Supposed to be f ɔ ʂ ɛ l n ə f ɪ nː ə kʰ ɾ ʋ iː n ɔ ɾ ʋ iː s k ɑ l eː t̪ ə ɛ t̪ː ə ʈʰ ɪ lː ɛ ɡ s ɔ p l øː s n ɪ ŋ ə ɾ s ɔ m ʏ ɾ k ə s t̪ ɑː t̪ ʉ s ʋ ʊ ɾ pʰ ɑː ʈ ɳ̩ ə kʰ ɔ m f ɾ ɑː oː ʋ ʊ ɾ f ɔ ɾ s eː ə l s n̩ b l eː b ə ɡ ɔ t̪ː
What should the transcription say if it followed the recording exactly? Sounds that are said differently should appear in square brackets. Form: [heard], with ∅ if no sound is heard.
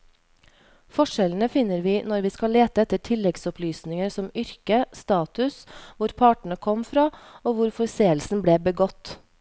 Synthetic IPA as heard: f ɔ ʂ ɛ l n ə f ɪ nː ə [∅] ɾ ʋ iː n ɔ ɾ ʋ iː s k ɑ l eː t̪ ə ɛ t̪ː ə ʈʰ ɪ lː ɛ ɡ s ɔ p l [yː] s n ɪ ŋ ə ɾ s ɔ m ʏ ɾ k ə s t̪ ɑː t̪ ʉ s ʋ ʊ ɾ pʰ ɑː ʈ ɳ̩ ə kʰ ɔ m f ɾ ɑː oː ʋ ʊ ɾ f ɔ ɾ s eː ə l s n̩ b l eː b ə ɡ ɔ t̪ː

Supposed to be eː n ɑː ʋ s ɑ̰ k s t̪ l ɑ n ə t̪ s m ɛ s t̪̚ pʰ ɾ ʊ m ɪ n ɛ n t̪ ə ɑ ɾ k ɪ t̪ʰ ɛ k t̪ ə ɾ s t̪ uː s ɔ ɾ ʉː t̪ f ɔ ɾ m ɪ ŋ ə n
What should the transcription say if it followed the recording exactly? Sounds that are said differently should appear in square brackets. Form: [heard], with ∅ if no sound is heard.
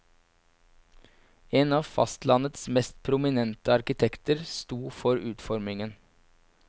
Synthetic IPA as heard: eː n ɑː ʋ [f] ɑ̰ [∅] s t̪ l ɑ n ə t̪ s m ɛ s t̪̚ pʰ ɾ ʊ m ɪ n ɛ n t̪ ə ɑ ɾ k ɪ t̪ʰ ɛ k t̪ ə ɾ s t̪ uː [f] ɔ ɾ ʉː t̪ f ɔ ɾ m ɪ ŋ ə n

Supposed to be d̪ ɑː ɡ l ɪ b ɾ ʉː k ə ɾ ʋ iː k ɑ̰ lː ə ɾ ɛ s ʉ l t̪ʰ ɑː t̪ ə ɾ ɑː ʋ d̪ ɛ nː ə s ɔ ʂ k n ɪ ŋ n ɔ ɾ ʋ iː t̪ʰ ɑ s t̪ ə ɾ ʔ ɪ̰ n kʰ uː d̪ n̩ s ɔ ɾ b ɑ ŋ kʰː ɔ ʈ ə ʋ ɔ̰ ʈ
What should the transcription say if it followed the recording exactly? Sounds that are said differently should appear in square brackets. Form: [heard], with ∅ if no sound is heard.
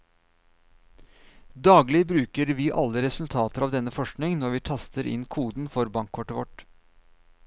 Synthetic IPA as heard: d̪ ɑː ɡ l ɪ b ɾ ʉː k ə ɾ ʋ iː [ʔ] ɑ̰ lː ə ɾ ɛ s ʉ l t̪ʰ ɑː t̪ ə ɾ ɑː ʋ d̪ ɛ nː ə [f] ɔ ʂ k n ɪ ŋ n ɔ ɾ ʋ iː t̪ʰ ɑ s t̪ ə ɾ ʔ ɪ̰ n kʰ uː d̪ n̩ [f] ɔ ɾ b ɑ ŋ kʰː ɔ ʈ ə ʋ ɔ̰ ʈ

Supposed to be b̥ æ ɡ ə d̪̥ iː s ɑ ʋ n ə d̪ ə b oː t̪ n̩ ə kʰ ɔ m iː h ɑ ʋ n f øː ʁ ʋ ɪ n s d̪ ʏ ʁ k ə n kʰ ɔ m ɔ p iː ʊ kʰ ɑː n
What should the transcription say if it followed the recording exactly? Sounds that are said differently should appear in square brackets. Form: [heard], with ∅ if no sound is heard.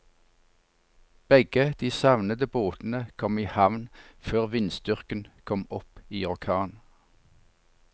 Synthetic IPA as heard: b̥ [ɛ] ɡ ə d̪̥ iː s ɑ ʋ n ə d̪ ə b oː t̪ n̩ ə kʰ ɔ m iː h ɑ ʋ n f øː ʁ ʋ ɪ n s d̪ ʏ ʁ k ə n kʰ ɔ m ɔ p iː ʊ kʰ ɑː n

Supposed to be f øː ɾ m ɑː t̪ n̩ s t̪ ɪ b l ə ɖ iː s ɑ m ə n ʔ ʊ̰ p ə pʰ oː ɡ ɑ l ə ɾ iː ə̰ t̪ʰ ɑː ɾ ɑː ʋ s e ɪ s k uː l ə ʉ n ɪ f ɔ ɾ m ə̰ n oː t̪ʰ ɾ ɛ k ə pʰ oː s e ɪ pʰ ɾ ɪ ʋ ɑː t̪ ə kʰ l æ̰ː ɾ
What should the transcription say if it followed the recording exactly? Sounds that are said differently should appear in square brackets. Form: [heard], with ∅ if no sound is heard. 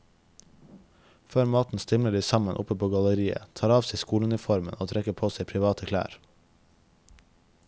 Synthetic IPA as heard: f øː ɾ m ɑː t̪ n̩ s t̪ ɪ [m] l ə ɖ iː s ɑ m ə n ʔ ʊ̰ p ə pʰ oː ɡ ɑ l ə ɾ iː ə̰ t̪ʰ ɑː ɾ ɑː ʋ s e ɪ s k uː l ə ʉ n ɪ f ɔ ɾ m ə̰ n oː t̪ʰ ɾ ɛ k ə pʰ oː s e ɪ pʰ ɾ ɪ ʋ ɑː t̪ ə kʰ l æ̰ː ɾ

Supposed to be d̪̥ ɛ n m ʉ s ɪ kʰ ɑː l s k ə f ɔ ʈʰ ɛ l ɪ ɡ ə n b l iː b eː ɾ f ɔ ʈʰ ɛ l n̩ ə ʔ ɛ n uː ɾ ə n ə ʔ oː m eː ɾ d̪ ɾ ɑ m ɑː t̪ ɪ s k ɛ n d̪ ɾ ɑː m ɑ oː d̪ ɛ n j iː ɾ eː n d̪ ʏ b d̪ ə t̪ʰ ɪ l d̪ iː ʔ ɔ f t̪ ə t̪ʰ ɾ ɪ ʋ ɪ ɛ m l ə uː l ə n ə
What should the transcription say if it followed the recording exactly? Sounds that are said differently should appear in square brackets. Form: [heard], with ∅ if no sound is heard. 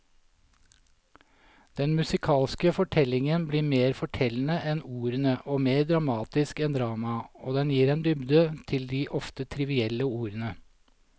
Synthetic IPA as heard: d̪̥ ɛ n m ʉ s ɪ kʰ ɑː l s k ə f ɔ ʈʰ ɛ l ɪ [ŋ] ə n b l iː [m] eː ɾ f ɔ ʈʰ ɛ l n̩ ə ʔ ɛ n uː ɾ ə n ə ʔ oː m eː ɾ d̪ ɾ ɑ m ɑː t̪ ɪ s k ɛ n d̪ ɾ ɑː m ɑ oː d̪ ɛ n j iː ɾ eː n d̪ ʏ b d̪ ə t̪ʰ ɪ l d̪ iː ʔ ɔ f t̪ ə t̪ʰ ɾ ɪ ʋ ɪ ɛ [∅] l ə uː [ɾ] ə n ə

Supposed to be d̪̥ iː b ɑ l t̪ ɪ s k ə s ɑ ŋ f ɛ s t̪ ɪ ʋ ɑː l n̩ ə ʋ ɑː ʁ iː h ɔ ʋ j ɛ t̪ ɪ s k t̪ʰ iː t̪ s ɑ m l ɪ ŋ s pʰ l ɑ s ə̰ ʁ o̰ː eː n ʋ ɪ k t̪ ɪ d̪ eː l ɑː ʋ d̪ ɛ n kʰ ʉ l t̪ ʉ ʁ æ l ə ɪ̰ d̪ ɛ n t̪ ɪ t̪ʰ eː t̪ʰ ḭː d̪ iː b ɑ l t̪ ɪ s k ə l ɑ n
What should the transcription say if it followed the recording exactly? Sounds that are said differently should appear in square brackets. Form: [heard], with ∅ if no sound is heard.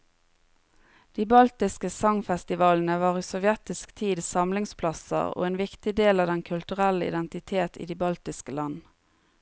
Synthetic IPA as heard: d̪̥ iː b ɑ l t̪ ɪ s k ə s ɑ ŋ f ɛ s t̪ ɪ ʋ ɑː l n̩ ə ʋ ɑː ʁ iː [s] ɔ ʋ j ɛ t̪ ɪ s k t̪ʰ iː [d̪] s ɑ m l ɪ ŋ s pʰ l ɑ s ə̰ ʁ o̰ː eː n ʋ ɪ k t̪ ɪ d̪ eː l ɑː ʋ d̪ ɛ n kʰ ʉ l t̪ ʉ ʁ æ l ə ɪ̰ d̪ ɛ n t̪ ɪ t̪ʰ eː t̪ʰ ḭː d̪ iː b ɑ l t̪ ɪ s k ə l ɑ n

